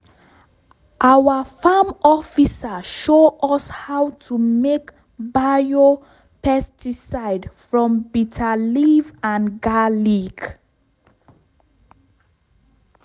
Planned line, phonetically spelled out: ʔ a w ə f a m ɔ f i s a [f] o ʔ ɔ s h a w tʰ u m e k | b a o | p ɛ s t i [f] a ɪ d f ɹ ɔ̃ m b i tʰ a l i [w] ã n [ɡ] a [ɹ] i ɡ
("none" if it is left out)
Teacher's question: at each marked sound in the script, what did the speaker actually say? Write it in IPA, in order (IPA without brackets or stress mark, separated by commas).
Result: ʃ, s, v, ɡ, l